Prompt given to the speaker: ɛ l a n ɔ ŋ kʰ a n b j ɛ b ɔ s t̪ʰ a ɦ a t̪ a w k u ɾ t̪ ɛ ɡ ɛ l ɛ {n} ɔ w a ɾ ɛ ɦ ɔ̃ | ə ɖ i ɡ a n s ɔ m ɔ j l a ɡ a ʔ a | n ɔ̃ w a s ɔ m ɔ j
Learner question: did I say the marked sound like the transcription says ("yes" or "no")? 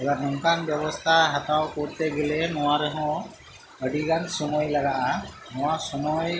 yes